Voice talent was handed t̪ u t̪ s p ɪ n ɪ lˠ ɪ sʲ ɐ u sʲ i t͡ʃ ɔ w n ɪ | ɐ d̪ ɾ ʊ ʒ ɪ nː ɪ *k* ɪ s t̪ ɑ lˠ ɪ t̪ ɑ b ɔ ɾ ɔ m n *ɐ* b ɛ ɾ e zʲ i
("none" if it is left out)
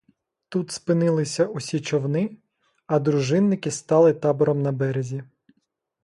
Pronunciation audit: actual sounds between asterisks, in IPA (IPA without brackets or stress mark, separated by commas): k, ɐ